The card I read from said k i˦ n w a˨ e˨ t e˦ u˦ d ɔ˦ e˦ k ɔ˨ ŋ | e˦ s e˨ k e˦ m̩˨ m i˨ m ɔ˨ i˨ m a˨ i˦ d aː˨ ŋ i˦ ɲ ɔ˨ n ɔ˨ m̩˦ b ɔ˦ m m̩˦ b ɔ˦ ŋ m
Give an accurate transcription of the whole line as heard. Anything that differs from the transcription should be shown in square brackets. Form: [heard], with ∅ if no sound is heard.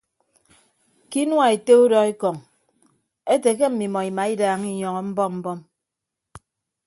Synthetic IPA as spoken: k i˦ n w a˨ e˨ t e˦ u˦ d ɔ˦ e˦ k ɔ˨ ŋ | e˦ [t] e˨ k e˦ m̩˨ m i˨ m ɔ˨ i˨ m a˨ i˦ d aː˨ ŋ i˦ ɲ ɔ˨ [ŋ] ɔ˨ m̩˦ b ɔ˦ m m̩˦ b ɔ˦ [∅] m